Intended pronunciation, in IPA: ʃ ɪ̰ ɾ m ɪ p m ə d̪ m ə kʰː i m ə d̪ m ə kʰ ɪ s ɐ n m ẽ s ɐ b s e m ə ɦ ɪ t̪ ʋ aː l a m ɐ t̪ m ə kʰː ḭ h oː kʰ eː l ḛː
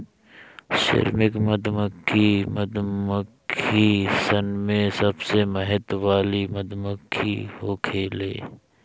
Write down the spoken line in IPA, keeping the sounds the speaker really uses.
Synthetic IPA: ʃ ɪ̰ ɾ m ɪ k m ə d̪ m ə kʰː i m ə d̪ m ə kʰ i s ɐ n m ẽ s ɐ b s e m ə ɦ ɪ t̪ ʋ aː l i m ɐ d̪ m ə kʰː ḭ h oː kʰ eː l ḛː